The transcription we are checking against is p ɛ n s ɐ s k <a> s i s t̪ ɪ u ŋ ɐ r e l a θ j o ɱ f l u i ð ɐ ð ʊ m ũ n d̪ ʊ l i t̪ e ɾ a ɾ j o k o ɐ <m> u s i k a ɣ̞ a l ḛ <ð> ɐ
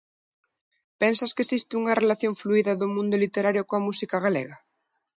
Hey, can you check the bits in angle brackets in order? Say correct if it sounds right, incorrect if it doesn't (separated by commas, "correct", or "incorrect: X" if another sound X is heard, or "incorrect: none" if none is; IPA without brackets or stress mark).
incorrect: e, correct, incorrect: ɣ